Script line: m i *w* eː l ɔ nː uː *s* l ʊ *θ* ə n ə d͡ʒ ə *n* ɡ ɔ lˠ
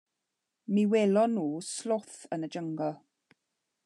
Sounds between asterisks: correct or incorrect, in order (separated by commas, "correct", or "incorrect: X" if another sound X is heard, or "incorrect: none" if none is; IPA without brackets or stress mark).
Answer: correct, correct, correct, incorrect: ŋ